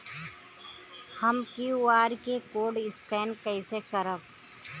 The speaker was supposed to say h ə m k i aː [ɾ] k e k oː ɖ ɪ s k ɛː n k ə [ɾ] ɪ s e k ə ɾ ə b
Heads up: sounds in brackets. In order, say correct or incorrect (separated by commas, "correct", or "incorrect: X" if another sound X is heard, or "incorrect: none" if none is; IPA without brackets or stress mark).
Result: correct, incorrect: none